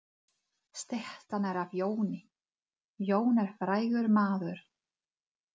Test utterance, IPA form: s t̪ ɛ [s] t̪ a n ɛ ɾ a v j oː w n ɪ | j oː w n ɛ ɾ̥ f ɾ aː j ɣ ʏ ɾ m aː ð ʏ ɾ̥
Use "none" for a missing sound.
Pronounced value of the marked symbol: h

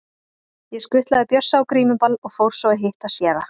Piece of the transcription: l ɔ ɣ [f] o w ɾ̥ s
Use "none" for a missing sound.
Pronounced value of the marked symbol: f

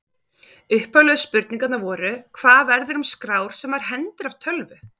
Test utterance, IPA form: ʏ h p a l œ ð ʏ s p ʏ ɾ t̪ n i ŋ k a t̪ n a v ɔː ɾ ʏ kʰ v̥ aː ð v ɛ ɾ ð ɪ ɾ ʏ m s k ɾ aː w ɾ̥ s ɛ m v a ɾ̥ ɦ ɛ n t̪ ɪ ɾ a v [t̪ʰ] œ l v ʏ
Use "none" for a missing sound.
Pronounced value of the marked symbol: t̪ʰ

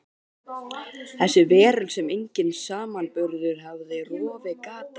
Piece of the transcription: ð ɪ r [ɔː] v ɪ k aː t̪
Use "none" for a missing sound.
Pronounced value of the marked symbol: ɔː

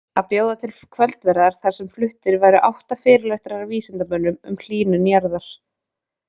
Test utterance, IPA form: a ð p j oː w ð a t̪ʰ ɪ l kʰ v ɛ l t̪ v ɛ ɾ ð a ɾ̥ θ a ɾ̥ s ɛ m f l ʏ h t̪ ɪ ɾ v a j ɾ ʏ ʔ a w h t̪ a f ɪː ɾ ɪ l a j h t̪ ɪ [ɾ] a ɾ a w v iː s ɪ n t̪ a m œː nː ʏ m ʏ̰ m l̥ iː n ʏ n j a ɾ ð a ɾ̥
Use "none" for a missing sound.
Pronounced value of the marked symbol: ɾ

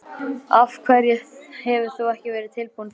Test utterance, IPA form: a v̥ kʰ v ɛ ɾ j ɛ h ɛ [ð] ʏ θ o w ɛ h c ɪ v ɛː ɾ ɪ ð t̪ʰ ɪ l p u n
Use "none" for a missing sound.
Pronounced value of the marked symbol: v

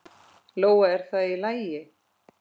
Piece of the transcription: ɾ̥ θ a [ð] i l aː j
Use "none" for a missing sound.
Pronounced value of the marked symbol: ð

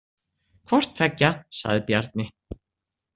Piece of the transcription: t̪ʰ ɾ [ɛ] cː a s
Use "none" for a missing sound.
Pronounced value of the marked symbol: ɛ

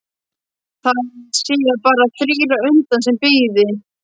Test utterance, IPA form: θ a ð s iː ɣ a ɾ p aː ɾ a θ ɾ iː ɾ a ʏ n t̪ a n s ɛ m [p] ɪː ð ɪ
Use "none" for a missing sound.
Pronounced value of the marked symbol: p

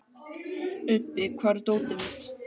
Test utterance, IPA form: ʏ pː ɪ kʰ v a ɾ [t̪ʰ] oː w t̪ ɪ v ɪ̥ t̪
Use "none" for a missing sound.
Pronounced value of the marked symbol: t̪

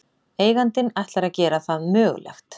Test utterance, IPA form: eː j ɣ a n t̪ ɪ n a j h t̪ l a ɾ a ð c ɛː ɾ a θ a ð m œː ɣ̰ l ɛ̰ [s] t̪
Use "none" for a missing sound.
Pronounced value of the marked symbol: x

